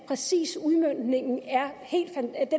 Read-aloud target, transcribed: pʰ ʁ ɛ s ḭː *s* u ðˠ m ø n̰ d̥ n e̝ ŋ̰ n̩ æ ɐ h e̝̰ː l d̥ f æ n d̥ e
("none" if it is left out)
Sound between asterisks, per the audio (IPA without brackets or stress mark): s